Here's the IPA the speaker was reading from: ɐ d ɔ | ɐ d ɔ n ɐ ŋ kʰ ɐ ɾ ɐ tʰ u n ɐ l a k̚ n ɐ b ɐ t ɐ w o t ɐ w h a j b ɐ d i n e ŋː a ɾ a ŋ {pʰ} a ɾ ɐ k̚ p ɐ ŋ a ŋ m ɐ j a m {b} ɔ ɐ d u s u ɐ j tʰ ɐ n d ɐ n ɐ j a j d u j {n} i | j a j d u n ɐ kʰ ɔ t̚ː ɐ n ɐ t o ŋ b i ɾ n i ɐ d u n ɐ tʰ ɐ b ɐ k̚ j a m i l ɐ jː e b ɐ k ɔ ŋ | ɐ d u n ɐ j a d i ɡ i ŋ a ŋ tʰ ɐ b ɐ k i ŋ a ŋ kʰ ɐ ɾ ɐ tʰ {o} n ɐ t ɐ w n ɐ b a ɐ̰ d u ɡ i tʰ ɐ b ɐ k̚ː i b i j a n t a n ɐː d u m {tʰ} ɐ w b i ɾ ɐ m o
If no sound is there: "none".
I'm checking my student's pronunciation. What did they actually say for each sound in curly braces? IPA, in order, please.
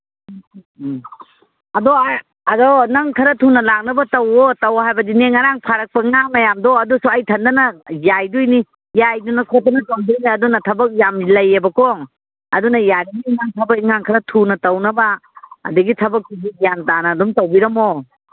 pʰ, d, n, u, t

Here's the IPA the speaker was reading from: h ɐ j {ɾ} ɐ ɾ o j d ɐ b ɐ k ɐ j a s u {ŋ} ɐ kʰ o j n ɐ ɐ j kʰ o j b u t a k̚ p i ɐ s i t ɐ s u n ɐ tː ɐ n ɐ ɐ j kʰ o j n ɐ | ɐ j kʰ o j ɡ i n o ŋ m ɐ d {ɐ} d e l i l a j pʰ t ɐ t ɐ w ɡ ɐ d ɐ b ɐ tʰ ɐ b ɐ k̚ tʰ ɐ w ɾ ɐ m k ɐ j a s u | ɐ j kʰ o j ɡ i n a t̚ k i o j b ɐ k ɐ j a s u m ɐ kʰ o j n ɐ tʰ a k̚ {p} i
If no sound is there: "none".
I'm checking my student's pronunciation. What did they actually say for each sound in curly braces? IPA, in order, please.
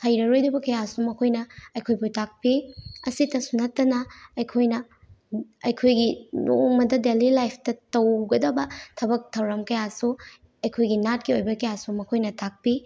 ɾ, m, ɐ, p

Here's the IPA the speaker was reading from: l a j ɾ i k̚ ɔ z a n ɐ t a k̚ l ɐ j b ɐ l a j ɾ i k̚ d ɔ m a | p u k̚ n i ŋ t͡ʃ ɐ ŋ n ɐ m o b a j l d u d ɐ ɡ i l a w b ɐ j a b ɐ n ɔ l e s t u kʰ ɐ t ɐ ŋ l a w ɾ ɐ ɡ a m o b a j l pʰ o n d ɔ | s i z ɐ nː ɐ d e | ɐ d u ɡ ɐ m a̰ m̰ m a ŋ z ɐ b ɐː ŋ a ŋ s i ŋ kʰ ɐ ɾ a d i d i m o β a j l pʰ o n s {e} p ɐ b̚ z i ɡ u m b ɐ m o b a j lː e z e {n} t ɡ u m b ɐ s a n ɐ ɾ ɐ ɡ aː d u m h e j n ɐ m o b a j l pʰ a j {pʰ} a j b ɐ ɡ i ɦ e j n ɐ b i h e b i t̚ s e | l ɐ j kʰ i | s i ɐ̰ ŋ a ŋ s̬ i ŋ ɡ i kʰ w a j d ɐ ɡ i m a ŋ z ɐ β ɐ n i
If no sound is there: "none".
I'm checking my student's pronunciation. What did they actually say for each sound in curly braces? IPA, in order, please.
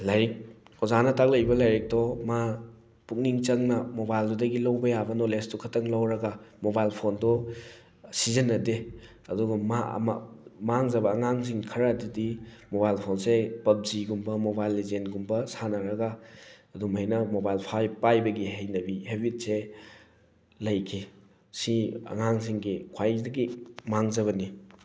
e, n, p

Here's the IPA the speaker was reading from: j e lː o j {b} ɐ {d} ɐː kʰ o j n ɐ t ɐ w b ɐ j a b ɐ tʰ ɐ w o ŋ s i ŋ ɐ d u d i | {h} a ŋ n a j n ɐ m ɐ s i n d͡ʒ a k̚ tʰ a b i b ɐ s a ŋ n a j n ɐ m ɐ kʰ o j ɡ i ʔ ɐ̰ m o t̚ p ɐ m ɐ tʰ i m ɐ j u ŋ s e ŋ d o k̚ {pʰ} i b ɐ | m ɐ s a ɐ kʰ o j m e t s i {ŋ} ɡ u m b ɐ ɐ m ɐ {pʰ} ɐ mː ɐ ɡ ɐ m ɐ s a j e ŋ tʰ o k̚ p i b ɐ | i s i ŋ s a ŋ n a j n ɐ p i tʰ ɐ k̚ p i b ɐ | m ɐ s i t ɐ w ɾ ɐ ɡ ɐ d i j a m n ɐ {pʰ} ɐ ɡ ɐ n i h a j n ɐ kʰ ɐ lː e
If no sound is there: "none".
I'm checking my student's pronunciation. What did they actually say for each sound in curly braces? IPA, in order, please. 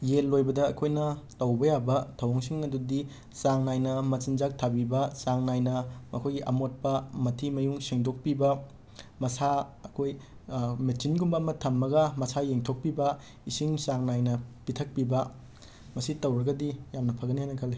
b, d, s, p, n, tʰ, pʰ

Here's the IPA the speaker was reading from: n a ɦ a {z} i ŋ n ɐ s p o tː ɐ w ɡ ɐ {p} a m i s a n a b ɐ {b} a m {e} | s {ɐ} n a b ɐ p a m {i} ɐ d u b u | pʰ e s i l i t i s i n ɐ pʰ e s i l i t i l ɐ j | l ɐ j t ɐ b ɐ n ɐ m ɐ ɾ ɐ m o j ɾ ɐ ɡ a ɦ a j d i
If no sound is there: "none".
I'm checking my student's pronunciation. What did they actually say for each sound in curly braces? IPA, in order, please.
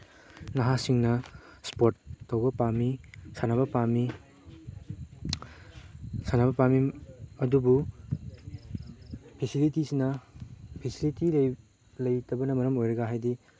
s, p, p, i, a, i

